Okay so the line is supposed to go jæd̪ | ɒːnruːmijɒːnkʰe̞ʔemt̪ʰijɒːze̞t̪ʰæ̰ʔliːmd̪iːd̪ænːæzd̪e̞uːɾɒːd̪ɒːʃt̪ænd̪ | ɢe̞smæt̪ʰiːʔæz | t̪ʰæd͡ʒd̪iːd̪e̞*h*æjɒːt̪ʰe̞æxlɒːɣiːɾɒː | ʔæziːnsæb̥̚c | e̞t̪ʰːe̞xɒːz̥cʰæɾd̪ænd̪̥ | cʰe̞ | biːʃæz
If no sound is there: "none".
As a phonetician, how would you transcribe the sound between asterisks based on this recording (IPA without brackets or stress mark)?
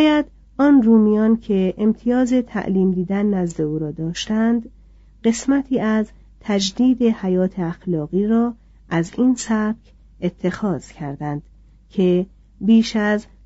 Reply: h